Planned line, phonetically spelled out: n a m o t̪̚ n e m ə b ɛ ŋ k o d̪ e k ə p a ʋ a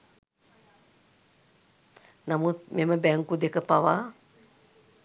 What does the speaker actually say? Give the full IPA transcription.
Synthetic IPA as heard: n a m u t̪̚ m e m ə b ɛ ŋ k u d̪ e k ə p a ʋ a